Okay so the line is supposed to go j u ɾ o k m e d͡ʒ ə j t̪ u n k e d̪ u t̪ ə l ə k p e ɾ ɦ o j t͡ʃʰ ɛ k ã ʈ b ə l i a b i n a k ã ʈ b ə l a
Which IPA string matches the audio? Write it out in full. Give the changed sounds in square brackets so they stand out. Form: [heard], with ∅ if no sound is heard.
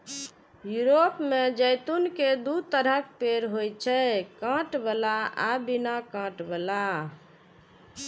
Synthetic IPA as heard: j u ɾ o [p] m e d͡ʒ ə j t̪ u n k e d̪ u t̪ ə [ɾ] ə k p e ɾ ɦ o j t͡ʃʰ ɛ k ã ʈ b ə l [a] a b i n a k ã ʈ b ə l a